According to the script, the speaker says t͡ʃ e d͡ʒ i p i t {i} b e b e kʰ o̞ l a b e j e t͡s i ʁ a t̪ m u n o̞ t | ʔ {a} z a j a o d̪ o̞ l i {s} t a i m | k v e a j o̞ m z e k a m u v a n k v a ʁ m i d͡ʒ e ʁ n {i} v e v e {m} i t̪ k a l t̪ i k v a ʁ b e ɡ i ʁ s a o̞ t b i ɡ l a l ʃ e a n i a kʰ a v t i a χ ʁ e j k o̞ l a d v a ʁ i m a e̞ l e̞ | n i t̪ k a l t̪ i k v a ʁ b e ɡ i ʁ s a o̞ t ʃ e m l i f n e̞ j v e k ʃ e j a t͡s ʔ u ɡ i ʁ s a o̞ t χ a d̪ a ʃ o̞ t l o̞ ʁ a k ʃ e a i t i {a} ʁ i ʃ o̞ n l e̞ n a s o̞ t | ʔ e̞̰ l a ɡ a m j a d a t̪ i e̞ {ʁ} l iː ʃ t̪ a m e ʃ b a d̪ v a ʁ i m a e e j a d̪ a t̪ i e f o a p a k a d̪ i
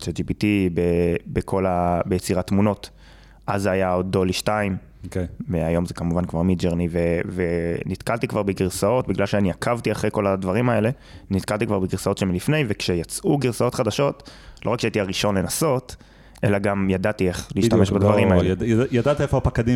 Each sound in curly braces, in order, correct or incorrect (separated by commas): correct, correct, incorrect, correct, incorrect, correct, incorrect